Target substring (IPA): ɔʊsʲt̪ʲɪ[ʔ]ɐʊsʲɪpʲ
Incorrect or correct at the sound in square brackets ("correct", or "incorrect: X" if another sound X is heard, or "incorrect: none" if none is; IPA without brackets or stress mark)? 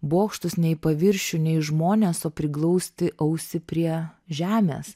correct